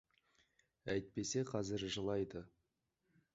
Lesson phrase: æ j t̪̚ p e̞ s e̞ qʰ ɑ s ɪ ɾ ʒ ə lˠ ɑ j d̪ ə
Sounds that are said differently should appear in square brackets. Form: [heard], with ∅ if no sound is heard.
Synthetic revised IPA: æ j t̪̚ p e̞ s e̞ qʰ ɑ [z] ɪ ɾ ʒ ə lˠ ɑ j d̪ ə